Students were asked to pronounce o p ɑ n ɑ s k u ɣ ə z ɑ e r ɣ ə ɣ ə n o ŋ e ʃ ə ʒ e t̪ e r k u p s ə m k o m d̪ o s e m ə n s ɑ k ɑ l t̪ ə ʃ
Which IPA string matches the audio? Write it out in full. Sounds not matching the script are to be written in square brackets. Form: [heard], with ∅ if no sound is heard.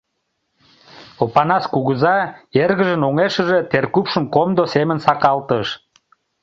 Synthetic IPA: o p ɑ n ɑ s k u ɣ ə z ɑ e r ɣ ə [ʒ] ə n o ŋ e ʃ ə ʒ e t̪ e r k u p [ʃ] ə m k o m d̪ o s e m ə n s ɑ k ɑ l t̪ ə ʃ